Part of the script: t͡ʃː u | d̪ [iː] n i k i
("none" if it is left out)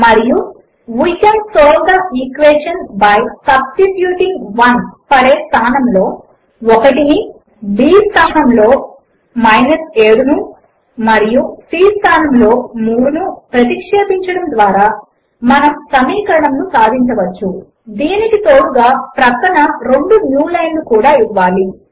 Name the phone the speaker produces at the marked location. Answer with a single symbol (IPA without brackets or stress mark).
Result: iː